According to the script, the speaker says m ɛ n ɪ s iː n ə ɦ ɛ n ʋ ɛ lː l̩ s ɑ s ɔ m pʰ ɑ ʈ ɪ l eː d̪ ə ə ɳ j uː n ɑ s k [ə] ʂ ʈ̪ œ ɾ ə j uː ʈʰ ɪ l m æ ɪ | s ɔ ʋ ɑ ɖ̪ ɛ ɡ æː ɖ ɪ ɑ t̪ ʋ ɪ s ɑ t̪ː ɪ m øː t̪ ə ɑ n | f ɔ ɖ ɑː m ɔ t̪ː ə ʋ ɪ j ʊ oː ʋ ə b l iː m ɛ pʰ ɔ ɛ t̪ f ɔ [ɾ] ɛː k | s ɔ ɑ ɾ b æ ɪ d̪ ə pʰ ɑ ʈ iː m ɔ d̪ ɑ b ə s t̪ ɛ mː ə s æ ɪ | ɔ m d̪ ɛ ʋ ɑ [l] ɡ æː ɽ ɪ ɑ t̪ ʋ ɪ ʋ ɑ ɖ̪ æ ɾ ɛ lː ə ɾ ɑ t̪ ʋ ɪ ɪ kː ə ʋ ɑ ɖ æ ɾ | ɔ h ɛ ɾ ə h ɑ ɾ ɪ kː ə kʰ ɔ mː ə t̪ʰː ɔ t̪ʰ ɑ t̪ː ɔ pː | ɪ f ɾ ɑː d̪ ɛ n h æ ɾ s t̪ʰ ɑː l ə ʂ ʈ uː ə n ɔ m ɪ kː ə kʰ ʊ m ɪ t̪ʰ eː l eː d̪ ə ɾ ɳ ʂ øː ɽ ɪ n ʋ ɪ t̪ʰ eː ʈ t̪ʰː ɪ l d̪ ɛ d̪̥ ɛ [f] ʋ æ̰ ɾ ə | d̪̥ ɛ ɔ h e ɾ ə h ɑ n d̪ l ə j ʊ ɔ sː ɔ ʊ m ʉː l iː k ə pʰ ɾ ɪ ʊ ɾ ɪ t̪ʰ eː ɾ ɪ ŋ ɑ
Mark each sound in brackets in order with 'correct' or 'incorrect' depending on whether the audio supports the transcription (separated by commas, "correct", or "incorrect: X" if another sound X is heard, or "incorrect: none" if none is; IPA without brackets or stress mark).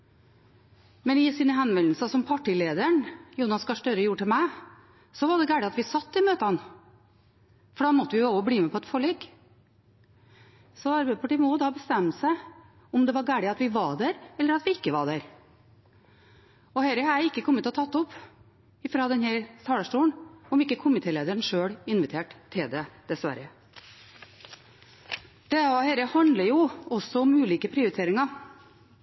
incorrect: ɑ, incorrect: ɭ, incorrect: ɾ, incorrect: s